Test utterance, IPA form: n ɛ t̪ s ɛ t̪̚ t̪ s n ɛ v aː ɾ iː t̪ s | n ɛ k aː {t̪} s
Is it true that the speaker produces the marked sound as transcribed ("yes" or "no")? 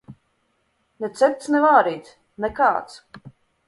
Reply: yes